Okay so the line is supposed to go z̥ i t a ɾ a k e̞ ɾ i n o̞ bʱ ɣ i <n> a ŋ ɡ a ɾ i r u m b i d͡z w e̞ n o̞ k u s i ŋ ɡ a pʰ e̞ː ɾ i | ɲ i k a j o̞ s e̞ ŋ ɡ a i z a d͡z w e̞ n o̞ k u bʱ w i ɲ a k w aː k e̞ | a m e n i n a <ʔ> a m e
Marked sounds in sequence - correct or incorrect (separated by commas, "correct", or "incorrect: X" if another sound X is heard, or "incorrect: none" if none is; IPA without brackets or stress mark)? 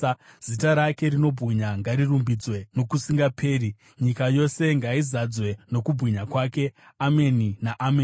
incorrect: ɲ, correct